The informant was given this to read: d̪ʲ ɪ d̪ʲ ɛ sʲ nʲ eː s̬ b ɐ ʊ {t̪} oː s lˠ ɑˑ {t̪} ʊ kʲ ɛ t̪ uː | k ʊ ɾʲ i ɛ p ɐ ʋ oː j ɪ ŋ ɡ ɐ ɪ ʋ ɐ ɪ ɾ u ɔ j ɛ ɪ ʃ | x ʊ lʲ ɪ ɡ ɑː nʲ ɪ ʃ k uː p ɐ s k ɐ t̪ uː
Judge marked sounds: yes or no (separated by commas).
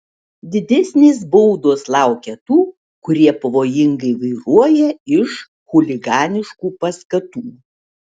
no, no